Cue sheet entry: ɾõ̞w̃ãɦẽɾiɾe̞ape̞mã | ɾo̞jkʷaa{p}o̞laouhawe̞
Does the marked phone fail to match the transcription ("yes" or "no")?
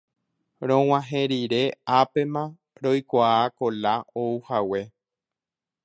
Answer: yes